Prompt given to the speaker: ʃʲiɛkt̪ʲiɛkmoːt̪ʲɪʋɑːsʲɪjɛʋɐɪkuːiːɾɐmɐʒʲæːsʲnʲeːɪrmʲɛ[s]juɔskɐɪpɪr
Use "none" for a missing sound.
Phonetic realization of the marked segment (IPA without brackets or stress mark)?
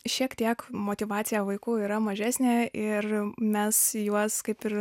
s